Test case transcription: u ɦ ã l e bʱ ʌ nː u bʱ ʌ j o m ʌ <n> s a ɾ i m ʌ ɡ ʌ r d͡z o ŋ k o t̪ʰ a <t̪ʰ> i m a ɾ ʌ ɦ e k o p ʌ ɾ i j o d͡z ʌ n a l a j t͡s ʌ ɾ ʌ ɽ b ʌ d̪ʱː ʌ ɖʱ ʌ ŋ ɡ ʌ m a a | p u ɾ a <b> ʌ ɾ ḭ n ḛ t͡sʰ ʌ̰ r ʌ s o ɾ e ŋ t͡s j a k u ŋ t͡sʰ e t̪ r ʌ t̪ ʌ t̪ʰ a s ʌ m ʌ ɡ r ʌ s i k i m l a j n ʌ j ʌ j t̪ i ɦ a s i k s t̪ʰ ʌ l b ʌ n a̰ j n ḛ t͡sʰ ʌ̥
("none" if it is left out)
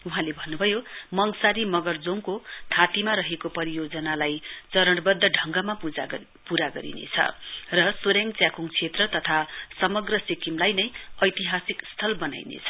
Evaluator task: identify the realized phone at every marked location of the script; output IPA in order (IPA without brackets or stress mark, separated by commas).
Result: ŋ, t̪, ɡ